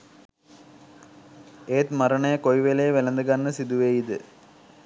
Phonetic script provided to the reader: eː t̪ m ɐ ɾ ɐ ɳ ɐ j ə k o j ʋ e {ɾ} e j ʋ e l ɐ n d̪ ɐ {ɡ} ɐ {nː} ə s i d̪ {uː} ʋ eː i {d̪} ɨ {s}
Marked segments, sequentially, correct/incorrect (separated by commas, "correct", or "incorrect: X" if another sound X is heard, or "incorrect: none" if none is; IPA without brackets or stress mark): incorrect: l, correct, correct, incorrect: u, correct, incorrect: none